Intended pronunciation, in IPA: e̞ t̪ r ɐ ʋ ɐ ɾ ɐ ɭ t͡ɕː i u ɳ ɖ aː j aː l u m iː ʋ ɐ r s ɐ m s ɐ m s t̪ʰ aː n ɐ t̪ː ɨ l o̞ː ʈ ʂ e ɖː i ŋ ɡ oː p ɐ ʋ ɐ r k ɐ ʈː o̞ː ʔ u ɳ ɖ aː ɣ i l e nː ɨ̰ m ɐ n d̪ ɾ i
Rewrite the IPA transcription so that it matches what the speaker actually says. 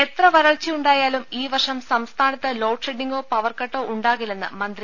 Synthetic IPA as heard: e̞ t̪ r ɐ ʋ ɐ ɾ ɐ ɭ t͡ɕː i u ɳ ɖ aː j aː l u m iː ʋ ɐ r ʂ ɐ m s ɐ m s t̪ʰ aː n ɐ t̪ː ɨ l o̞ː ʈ ʂ e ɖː i ŋ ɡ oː p ɐ ʋ ɐ r k ɐ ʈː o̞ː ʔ u ɳ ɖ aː ɣ i l e nː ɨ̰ m ɐ n d̪ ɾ i